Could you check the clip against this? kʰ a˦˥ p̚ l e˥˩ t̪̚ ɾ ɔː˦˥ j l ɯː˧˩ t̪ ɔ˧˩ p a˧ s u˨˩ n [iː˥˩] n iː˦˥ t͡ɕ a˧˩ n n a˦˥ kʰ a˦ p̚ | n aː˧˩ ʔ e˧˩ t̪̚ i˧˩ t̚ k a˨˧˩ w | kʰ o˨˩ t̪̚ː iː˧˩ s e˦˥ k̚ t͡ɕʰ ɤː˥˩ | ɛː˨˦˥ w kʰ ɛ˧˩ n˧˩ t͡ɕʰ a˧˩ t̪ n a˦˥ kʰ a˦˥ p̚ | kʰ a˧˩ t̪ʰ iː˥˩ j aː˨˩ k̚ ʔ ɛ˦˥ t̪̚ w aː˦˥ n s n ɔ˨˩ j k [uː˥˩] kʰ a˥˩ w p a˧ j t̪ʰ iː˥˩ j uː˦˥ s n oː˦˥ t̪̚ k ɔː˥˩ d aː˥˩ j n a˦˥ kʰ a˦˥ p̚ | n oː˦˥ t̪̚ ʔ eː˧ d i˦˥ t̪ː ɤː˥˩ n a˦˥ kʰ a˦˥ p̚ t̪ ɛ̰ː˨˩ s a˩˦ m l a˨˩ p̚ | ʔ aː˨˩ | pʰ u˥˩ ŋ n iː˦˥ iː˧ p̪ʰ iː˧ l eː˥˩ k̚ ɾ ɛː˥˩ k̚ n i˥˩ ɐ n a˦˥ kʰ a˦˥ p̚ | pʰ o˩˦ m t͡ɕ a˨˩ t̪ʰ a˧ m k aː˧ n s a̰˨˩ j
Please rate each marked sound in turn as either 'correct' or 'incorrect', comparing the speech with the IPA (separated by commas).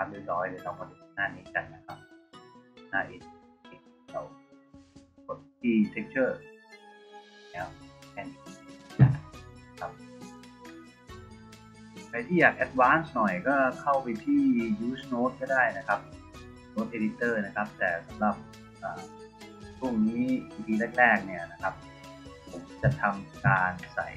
incorrect, incorrect